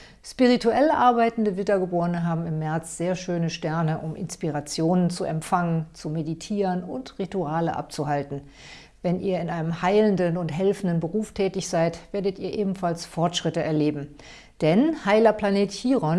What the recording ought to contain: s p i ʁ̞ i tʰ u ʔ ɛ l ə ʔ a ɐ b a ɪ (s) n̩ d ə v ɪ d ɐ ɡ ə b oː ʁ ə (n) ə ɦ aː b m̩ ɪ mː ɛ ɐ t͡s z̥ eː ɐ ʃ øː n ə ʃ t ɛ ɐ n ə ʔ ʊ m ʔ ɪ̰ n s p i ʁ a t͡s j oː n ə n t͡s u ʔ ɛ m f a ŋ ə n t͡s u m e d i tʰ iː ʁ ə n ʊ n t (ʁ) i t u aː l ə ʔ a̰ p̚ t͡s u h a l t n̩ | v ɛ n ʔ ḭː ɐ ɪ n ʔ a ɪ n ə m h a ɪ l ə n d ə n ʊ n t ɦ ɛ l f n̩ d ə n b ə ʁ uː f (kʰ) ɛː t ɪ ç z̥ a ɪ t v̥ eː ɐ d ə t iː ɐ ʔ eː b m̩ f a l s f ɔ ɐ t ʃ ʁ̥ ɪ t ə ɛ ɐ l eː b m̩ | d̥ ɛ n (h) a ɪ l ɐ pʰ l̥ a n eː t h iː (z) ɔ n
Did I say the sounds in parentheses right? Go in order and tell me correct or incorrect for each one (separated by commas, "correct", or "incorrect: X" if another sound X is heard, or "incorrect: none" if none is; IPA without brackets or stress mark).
incorrect: t, correct, correct, incorrect: tʰ, correct, incorrect: ʁ